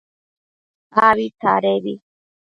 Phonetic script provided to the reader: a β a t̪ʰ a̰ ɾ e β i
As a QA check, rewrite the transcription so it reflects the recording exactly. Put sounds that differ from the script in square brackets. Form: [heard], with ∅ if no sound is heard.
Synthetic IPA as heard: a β [i] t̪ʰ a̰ ɾ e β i